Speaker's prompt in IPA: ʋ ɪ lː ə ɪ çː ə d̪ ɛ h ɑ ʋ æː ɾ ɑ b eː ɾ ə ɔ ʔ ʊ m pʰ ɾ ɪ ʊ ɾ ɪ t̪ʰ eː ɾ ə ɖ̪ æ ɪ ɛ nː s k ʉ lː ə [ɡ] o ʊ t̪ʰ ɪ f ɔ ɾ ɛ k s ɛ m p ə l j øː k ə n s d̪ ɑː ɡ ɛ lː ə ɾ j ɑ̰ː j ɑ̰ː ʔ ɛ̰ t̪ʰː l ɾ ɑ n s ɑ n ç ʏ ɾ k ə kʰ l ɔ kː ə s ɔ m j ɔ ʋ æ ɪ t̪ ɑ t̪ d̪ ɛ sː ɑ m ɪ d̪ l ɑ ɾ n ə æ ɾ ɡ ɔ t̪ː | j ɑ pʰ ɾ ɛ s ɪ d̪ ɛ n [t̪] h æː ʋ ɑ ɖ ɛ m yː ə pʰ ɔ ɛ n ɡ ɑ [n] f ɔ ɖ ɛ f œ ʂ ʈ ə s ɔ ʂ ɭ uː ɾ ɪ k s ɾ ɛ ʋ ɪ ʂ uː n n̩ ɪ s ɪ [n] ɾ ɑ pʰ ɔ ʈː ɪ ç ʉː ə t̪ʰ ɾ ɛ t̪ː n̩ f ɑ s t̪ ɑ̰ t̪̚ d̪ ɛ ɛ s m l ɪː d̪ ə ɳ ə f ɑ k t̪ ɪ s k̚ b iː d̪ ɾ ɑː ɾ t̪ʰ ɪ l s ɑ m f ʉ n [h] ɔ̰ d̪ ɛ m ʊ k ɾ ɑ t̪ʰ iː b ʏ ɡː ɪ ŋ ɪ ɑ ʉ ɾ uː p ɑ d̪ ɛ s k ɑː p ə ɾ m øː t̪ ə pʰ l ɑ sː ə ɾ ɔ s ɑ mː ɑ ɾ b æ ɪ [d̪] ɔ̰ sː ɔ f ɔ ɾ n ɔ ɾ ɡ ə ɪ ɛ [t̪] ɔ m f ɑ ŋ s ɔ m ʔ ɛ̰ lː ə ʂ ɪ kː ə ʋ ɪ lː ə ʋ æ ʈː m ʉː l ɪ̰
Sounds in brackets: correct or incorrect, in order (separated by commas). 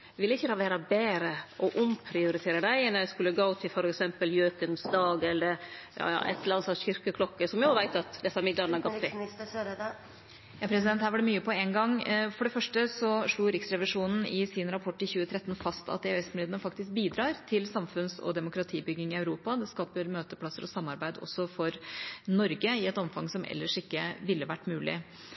correct, correct, incorrect, correct, incorrect, correct, correct